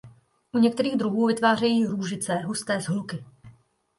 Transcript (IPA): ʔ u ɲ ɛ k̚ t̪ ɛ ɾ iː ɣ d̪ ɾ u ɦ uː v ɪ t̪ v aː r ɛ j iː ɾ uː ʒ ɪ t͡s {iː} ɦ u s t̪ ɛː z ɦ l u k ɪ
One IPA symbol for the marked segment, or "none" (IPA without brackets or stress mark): ɛː